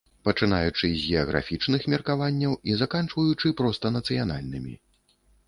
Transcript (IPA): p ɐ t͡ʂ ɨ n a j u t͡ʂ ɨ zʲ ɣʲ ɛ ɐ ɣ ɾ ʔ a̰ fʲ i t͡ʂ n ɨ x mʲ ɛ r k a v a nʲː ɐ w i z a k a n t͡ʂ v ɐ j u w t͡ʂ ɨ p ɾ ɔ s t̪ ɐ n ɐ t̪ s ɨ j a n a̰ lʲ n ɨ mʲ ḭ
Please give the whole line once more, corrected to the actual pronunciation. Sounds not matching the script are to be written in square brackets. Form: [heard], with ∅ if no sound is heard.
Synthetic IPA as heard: p ɐ t͡ʂ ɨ n a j u t͡ʂ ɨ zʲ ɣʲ ɛ ɐ ɣ ɾ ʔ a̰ fʲ i t͡ʂ n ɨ x mʲ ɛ r k a v a nʲː ɐ w i z a k a n t͡ʂ v ɐ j u [∅] t͡ʂ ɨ p ɾ ɔ s t̪ ɐ n ɐ t̪ s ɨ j a n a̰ lʲ n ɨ mʲ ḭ